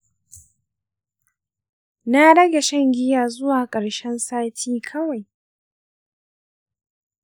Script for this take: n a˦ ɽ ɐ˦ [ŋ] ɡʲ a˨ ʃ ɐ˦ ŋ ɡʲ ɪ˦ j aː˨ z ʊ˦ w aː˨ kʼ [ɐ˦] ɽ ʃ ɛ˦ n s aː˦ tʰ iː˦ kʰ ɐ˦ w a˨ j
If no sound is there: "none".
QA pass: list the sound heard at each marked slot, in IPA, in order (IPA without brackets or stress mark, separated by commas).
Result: none, ɐ˨